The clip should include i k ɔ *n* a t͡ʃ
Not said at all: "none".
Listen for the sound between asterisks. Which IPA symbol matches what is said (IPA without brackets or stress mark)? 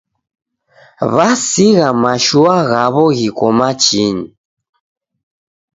m